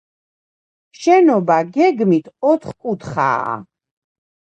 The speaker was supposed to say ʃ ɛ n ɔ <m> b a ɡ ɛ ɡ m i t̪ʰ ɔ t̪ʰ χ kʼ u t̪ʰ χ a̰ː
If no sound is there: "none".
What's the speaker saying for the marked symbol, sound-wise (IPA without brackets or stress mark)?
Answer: none